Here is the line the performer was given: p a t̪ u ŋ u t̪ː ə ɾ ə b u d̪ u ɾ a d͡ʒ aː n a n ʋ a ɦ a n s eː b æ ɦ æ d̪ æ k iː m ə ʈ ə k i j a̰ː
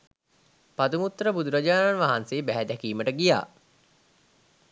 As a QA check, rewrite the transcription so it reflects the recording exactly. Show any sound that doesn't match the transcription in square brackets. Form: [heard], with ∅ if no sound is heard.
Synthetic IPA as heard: p a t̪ u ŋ u t̪ː ə ɾ ə b u d̪ u ɾ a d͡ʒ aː n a n ʋ a ɦ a n s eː b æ ɦ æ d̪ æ k iː m ə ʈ ə [ɡ] i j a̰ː